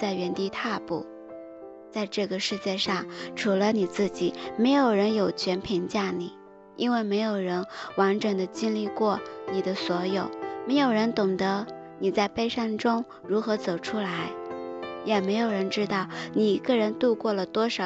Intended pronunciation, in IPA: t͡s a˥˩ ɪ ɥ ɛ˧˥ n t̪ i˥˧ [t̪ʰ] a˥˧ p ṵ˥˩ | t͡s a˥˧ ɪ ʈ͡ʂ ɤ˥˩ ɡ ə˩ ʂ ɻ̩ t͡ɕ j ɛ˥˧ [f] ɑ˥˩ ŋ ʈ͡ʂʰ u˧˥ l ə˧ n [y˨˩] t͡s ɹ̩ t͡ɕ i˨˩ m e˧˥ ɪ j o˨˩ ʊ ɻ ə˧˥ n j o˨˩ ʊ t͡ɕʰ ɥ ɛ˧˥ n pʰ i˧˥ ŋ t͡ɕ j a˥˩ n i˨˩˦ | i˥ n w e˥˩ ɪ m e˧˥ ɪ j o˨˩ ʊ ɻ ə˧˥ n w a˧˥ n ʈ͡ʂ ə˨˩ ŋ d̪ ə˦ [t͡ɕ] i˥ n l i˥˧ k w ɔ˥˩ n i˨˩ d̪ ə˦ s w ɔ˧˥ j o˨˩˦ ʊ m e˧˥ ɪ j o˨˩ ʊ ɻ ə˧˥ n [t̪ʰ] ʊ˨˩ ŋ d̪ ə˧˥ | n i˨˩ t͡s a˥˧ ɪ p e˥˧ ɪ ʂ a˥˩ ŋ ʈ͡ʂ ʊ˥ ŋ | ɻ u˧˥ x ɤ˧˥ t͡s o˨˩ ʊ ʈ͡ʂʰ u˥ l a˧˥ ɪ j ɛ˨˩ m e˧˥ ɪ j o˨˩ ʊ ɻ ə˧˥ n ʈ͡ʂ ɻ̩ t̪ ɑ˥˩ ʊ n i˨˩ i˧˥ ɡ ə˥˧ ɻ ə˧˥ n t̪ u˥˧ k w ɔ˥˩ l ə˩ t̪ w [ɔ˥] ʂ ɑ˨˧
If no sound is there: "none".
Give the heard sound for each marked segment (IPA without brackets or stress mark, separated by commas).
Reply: t̪ʰ, ʂ, i˨˩, t͡ɕ, t̪, ɔ˥